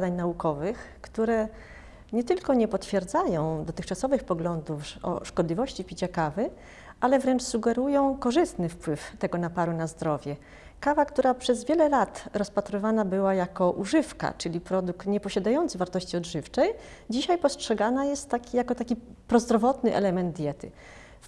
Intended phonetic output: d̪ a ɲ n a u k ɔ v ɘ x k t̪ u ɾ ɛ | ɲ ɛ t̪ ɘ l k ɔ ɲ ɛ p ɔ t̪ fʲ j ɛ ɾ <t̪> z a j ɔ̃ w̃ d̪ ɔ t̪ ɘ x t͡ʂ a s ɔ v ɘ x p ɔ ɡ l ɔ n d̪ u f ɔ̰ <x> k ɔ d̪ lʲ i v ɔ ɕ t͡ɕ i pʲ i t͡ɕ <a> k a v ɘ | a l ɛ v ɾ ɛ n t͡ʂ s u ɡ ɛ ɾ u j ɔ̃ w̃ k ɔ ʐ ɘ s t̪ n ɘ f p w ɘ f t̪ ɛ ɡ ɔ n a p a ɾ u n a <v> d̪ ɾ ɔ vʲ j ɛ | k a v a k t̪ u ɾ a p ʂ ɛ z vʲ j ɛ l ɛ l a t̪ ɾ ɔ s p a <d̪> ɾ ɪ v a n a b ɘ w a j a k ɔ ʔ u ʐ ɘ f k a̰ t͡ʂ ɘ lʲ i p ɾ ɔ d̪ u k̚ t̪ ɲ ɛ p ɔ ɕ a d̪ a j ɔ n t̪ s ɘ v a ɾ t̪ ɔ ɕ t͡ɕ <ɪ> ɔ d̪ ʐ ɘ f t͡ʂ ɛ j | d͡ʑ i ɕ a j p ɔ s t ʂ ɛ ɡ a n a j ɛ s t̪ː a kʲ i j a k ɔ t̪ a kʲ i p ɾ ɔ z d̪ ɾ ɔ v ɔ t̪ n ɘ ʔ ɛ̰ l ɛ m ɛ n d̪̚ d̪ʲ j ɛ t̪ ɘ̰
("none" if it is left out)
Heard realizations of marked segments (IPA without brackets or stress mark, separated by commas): d̪, ʂ, a, z, t̪, i